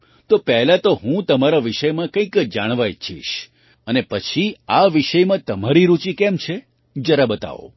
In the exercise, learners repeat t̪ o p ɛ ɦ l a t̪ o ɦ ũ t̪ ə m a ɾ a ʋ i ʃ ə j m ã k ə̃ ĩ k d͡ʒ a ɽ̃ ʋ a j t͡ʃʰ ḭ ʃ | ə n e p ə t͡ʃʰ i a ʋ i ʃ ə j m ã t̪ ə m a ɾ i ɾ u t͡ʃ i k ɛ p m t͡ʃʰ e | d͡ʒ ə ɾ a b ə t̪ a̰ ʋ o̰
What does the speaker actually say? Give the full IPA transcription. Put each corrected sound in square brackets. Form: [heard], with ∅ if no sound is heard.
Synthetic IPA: t̪ o p ɛ ɦ l a t̪ o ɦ ũ t̪ ə m a ɾ a ʋ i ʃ ə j m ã k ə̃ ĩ k d͡ʒ a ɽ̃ ʋ a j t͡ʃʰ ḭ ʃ | ə n e p ə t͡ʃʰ i a ʋ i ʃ ə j m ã t̪ ə m a ɾ i ɾ u t͡ʃ i k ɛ [∅] m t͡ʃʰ e | d͡ʒ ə ɾ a b ə t̪ a̰ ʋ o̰

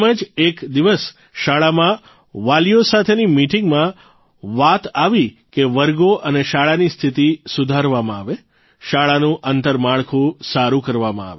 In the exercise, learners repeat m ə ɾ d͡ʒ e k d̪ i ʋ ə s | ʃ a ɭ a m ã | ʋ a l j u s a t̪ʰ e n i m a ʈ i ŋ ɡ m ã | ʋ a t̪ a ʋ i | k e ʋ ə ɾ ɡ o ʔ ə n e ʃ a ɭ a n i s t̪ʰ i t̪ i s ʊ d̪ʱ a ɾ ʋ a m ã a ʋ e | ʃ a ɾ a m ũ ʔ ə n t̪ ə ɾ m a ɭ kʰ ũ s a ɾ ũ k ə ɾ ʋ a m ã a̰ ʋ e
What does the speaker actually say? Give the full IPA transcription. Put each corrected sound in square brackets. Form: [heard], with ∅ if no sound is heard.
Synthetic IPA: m ə [∅] d͡ʒ e k d̪ i ʋ ə s | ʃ a ɭ a m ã | ʋ a l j [o] s a t̪ʰ e n i m [i] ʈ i ŋ ɡ m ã | ʋ a t̪ a ʋ i | k e ʋ ə ɾ ɡ o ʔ ə n e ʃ a ɭ a n i s t̪ʰ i t̪ i s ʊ d̪ʱ a ɾ ʋ a m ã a ʋ e | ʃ a [ɭ] a [n] ũ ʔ ə n t̪ ə ɾ m a ɭ kʰ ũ s a ɾ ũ k ə ɾ ʋ a m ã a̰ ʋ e

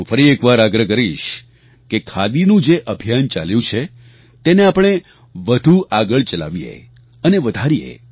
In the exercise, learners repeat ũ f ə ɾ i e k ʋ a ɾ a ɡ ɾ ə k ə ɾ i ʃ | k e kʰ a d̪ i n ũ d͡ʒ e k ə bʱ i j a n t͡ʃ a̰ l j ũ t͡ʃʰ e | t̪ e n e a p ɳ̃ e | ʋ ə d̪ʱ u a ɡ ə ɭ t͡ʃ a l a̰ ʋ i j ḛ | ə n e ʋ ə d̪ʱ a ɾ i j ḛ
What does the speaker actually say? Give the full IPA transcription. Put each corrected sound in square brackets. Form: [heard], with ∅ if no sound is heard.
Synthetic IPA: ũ f ə ɾ i e k ʋ a ɾ a ɡ ɾ ə k ə ɾ i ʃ | k e kʰ a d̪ i n ũ d͡ʒ e [ʔ] ə bʱ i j a n t͡ʃ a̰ l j ũ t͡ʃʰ e | t̪ e n e a p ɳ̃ e | ʋ ə d̪ʱ u a ɡ ə ɭ t͡ʃ [ə] l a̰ ʋ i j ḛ | ə n e ʋ ə d̪ʱ a ɾ i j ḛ

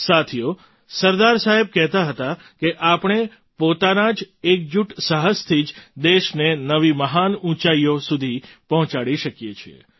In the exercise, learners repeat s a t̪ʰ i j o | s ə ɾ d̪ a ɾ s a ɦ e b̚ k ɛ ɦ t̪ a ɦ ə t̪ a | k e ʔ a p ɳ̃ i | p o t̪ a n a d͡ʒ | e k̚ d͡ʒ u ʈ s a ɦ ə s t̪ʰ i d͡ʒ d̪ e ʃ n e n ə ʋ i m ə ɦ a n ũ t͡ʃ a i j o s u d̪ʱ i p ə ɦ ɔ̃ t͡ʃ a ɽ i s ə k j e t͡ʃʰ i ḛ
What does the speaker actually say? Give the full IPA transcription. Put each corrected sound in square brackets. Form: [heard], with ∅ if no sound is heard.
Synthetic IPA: s a t̪ʰ i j o | s ə ɾ d̪ a ɾ s a ɦ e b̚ k ɛ ɦ t̪ a ɦ ə t̪ a | k e ʔ a p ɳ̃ [e] | p o t̪ a n a d͡ʒ | e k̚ d͡ʒ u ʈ s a ɦ ə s t̪ʰ i d͡ʒ d̪ e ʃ n e n ə ʋ i m ə ɦ a n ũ t͡ʃ a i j o s u d̪ʱ i p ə ɦ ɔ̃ t͡ʃ a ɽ i [ʃ] ə k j e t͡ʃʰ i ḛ

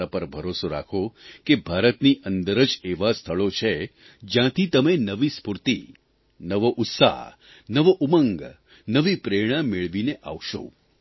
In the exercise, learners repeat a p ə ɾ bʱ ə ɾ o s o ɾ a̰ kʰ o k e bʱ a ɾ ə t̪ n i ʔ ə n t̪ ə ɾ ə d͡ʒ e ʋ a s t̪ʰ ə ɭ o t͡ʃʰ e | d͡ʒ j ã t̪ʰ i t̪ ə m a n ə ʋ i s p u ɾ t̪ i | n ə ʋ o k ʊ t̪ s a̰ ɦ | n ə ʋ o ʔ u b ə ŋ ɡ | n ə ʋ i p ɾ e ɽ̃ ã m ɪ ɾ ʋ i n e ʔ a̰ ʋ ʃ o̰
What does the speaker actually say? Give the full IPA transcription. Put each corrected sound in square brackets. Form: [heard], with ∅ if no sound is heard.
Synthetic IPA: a p ə ɾ bʱ ə ɾ o s o ɾ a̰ kʰ o k e bʱ a ɾ ə t̪ n i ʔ ə n [d̪] ə ɾ ə d͡ʒ e ʋ a s t̪ʰ ə ɭ o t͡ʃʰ e | d͡ʒ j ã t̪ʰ i t̪ ə m [e] n ə ʋ i s p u ɾ t̪ i | n ə ʋ o [ʔ] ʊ t̪ s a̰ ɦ | n ə ʋ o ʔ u [m] ə ŋ ɡ | n ə ʋ i p ɾ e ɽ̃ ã m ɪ [ɭ] ʋ i n e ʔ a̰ ʋ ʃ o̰

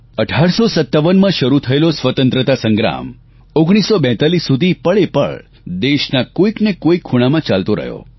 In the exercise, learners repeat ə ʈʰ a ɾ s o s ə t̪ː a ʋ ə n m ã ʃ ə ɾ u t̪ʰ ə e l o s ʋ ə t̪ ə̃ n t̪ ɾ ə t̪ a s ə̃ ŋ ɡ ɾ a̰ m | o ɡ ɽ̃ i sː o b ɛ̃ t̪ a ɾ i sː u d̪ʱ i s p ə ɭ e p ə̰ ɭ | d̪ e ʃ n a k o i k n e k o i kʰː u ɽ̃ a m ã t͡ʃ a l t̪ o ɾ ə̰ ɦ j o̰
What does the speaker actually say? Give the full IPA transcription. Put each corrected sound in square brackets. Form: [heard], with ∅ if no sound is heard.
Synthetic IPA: ə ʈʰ a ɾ s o s ə t̪ː a ʋ ə n m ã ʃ ə ɾ u t̪ʰ ə e l o s ʋ ə t̪ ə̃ n t̪ ɾ ə t̪ a s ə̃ ŋ ɡ ɾ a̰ m | o ɡ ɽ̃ i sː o b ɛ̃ t̪ a [l] i sː u d̪ʱ i [∅] p ə ɭ e p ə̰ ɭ | d̪ e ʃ n a k o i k n e k o i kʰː u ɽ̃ a m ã t͡ʃ a l t̪ o ɾ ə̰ ɦ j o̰

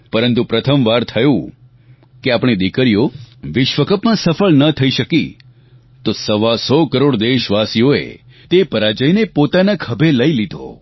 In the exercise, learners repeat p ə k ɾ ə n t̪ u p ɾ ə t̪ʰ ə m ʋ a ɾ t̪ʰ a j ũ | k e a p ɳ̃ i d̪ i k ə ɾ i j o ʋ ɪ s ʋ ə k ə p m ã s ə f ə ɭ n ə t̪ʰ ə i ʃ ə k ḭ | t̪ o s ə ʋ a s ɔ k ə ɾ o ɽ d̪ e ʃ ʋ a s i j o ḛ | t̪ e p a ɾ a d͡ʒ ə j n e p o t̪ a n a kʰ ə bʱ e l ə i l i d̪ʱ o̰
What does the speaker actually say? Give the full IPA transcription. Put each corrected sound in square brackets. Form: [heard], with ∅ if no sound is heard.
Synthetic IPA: p ə [∅] ɾ ə n t̪ u p ɾ ə t̪ʰ ə m ʋ a ɾ t̪ʰ [ə] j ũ | k e a p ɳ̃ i d̪ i k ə ɾ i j o ʋ ɪ [ʃ] ʋ ə k ə p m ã s ə f ə ɭ n ə t̪ʰ ə i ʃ ə k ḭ | t̪ o s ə ʋ a s ɔ k ə ɾ o ɽ d̪ e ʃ ʋ a s i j o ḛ | t̪ e p [ə] ɾ a d͡ʒ ə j n e p o t̪ a n a kʰ ə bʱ e l ə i l i d̪ʱ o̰

